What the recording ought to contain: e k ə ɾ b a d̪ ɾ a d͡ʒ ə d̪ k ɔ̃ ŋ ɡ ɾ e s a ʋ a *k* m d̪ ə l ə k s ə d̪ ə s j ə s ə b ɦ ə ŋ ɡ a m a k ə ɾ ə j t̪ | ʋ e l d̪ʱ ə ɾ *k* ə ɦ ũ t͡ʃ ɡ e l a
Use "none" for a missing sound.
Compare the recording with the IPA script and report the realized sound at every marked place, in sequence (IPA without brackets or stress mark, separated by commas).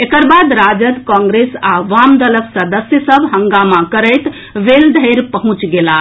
none, p